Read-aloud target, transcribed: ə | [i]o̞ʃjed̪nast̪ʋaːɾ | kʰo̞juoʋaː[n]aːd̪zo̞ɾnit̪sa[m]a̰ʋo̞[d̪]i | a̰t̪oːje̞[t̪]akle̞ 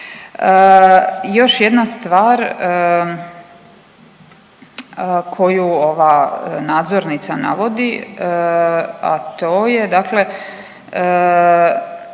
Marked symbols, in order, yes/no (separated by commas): no, yes, no, yes, no